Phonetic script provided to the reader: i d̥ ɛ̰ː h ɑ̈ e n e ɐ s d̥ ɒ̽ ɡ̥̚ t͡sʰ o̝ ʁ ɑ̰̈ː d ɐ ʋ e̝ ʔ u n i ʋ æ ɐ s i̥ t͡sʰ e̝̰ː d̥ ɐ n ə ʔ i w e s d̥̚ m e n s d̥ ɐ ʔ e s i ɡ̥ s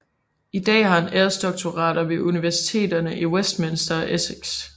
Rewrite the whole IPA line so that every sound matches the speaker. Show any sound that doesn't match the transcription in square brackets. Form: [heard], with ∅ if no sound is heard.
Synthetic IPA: i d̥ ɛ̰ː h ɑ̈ e n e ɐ s d̥ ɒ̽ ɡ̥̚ t͡sʰ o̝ ʁ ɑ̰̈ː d ɐ ʋ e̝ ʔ u n i ʋ æ ɐ s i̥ t͡sʰ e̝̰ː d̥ ɐ n ə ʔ i w e s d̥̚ m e n s d̥ ɐ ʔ e s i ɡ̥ s